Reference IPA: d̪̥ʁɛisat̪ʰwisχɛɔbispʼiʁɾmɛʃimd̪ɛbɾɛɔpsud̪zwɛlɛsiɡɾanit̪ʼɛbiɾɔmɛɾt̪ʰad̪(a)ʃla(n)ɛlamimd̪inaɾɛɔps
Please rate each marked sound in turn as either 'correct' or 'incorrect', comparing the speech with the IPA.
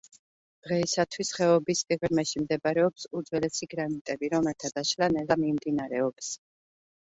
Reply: correct, correct

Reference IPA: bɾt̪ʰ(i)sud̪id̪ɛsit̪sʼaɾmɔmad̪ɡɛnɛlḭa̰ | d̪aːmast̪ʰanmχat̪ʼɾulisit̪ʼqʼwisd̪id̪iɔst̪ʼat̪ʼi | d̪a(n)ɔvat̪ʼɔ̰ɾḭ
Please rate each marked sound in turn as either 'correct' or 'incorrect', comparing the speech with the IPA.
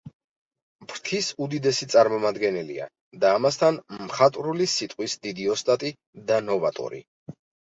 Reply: correct, correct

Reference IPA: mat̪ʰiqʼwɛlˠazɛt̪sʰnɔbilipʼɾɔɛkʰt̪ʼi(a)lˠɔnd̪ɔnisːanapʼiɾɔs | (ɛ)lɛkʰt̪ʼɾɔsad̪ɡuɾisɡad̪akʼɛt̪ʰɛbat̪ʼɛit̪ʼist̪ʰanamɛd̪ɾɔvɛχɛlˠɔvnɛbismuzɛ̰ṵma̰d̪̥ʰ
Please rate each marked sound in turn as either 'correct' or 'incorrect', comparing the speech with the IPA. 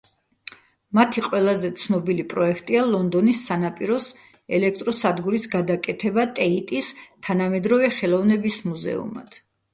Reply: correct, correct

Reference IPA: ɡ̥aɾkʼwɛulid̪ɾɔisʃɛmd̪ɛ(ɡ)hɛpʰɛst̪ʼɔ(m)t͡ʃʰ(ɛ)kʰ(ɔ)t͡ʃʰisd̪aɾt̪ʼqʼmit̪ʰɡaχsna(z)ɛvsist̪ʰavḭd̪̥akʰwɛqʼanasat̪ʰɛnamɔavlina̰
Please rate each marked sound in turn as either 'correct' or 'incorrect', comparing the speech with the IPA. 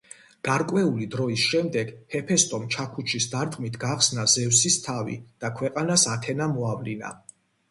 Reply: correct, correct, incorrect, incorrect, correct

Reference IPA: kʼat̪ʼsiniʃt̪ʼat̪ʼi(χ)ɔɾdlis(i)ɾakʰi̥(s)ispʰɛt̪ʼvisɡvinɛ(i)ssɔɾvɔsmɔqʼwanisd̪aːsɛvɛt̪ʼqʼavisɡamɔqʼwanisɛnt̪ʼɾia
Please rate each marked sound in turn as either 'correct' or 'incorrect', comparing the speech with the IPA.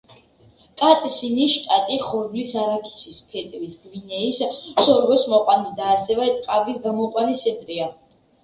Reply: correct, incorrect, correct, correct

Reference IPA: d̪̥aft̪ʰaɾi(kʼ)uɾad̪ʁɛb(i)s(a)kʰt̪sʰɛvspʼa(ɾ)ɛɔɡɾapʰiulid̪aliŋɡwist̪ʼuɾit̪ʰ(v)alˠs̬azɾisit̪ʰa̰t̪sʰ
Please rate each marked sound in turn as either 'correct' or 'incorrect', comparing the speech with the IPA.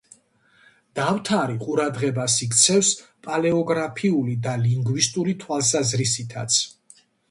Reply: incorrect, incorrect, incorrect, incorrect, incorrect

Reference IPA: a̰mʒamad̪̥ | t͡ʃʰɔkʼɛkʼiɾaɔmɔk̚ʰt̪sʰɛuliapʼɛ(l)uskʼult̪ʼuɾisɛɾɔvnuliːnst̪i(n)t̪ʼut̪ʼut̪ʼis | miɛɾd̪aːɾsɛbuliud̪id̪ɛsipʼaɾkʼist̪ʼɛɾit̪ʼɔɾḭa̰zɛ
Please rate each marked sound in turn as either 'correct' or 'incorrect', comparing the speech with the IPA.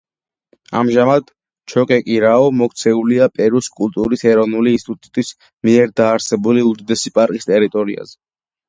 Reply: incorrect, incorrect

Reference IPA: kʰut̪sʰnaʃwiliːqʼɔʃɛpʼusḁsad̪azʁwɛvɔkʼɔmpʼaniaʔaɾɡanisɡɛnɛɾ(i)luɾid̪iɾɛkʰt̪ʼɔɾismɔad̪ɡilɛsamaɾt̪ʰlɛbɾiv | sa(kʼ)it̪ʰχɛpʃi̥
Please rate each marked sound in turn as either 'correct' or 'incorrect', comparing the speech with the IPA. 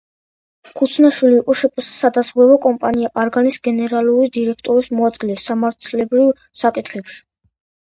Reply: incorrect, correct

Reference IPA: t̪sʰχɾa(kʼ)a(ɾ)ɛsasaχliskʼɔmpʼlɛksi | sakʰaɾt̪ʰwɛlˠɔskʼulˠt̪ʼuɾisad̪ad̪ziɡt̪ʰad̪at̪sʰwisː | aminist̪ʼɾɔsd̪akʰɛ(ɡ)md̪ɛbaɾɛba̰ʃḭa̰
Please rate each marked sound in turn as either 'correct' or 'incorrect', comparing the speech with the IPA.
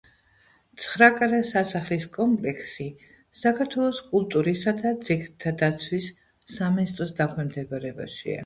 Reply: correct, correct, incorrect

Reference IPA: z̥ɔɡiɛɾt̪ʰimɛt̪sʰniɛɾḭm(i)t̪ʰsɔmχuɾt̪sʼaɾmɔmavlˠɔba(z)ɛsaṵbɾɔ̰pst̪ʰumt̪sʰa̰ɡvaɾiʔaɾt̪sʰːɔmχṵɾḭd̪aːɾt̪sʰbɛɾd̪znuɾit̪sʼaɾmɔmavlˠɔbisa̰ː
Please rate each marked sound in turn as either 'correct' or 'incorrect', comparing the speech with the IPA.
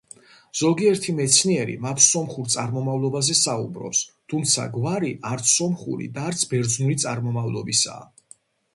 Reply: incorrect, correct

